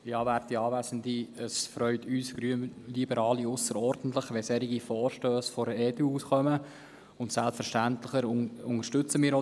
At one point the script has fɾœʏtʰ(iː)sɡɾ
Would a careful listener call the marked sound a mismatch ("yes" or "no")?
yes